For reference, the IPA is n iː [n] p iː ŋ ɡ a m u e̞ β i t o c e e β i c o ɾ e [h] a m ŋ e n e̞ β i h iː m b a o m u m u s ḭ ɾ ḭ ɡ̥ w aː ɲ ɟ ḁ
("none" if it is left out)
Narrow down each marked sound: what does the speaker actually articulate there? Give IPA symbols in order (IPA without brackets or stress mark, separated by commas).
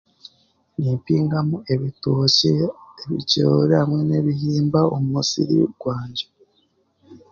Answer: m, h